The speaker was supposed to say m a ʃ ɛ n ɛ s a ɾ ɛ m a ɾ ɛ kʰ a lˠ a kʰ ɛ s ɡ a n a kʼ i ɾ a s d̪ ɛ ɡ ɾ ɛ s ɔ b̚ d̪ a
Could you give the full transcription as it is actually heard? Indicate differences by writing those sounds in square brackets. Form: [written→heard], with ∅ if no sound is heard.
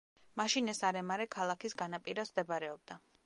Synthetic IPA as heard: m a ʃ [ɛ→i] n ɛ s a ɾ ɛ m a ɾ ɛ kʰ a lˠ a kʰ [ɛ→i] s ɡ a n a [kʼ→pʼ] i ɾ a s d̪ ɛ [ɡ→b] ɾ ɛ [s→∅] ɔ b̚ d̪ a